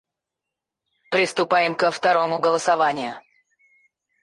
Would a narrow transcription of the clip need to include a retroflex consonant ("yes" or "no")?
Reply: no